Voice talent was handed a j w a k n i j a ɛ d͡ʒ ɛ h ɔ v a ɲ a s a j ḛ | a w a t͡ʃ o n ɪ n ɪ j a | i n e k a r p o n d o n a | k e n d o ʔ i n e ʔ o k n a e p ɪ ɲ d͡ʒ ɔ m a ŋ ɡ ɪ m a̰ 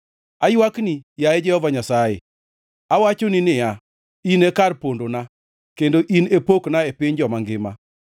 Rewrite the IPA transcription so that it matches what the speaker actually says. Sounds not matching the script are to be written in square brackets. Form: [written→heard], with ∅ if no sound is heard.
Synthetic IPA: a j w a k n i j a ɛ d͡ʒ ɛ h ɔ v a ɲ a s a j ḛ | a w a t͡ʃ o n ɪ n ɪ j a | i n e k a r p o n d o n a | k e n d o ʔ i n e [ʔ→p] o k n a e p ɪ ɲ d͡ʒ ɔ m a ŋ ɡ ɪ m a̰